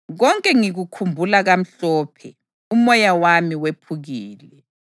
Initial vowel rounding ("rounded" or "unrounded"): rounded